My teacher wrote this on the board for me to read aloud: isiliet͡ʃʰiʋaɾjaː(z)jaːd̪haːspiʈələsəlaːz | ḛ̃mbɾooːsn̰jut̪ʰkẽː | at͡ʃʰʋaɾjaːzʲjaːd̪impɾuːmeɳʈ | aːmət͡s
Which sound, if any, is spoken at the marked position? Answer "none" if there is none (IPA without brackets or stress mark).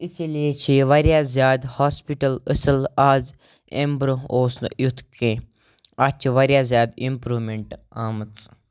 z